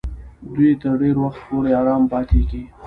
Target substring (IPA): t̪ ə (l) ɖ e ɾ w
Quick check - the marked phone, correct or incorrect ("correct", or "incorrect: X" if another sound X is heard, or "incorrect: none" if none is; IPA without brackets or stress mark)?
incorrect: ɾ